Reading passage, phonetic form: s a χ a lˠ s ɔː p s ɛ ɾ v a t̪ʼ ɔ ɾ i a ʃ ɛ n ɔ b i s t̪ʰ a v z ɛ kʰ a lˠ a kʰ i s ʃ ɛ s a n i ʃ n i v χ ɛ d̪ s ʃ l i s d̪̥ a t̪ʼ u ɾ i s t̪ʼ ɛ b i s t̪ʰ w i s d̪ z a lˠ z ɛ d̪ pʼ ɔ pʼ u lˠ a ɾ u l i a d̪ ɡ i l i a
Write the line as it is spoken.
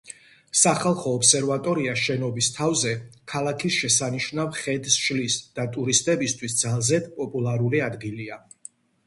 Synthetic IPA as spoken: s a χ a lˠ χ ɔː p s ɛ ɾ v a t̪ʼ ɔ ɾ i a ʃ ɛ n ɔ b i s t̪ʰ a v z ɛ kʰ a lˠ a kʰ i s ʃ ɛ s a n i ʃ n a v χ ɛ d̪ s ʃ l i s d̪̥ a t̪ʼ u ɾ i s t̪ʼ ɛ b i s t̪ʰ w i s d̪ z a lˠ z ɛ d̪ pʼ ɔ pʼ u lˠ a ɾ u l i a d̪ ɡ i l i a